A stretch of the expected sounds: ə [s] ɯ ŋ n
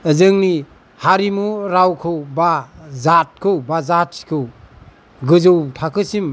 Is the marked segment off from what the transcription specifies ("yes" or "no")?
yes